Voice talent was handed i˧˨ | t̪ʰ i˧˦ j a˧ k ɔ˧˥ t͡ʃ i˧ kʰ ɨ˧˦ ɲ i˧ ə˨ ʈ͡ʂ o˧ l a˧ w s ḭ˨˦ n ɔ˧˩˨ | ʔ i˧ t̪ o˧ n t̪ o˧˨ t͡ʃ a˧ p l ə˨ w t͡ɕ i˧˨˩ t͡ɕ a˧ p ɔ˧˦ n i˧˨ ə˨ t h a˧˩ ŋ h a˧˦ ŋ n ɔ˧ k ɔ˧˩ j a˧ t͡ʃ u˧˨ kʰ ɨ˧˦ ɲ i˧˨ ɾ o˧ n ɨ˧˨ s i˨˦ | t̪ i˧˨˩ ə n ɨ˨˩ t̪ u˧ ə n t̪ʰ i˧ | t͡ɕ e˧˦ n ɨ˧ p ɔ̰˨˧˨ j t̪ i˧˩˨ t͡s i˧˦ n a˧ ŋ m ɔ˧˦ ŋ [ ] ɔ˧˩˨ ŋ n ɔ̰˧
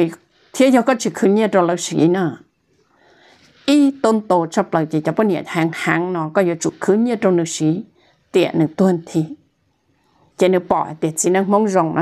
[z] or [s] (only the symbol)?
z